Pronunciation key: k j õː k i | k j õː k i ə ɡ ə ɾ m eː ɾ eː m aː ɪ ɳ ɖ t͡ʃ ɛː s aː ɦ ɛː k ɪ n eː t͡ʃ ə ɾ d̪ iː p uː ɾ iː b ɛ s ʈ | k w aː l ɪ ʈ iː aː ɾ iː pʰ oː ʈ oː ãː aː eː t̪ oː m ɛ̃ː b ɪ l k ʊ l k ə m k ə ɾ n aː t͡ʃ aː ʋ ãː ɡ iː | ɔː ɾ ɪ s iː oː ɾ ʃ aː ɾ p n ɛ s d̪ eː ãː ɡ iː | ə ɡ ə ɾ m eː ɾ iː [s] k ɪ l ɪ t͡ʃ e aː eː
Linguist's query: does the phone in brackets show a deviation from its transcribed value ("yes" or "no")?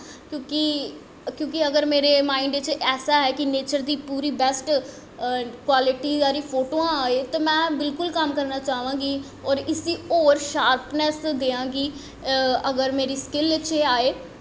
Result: no